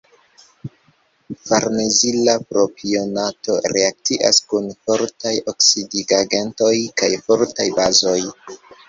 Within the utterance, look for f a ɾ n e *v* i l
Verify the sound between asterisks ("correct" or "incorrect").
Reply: incorrect